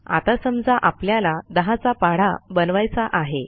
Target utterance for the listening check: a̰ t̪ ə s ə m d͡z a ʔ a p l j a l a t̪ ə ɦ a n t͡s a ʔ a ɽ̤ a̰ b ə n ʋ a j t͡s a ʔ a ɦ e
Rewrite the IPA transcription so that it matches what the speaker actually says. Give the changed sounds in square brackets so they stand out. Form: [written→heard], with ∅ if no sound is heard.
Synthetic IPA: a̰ t̪ [ə→a] s ə m d͡z a ʔ a p l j a l a [t̪→d̪] ə ɦ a [n→∅] t͡s a [ʔ→p] a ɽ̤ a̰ b ə n ʋ a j t͡s a ʔ a ɦ e